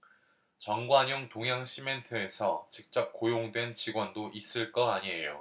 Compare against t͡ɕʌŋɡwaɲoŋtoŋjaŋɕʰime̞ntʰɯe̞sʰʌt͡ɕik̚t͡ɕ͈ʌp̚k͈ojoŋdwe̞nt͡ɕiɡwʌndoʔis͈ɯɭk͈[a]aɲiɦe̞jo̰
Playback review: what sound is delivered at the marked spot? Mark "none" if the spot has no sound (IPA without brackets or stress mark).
ʌ